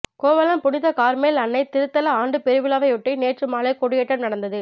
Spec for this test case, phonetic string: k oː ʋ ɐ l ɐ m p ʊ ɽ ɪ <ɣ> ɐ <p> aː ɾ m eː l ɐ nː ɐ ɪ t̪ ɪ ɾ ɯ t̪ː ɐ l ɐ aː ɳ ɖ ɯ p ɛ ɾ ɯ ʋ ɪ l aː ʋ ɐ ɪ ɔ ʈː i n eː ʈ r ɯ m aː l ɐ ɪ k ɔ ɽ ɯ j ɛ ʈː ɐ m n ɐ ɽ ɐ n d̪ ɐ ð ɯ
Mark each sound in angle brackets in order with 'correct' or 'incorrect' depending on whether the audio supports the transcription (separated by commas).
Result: incorrect, incorrect